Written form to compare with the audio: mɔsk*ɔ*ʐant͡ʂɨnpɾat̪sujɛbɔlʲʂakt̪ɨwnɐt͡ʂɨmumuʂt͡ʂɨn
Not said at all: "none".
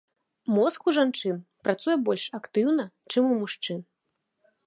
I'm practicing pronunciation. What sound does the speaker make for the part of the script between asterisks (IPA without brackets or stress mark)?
u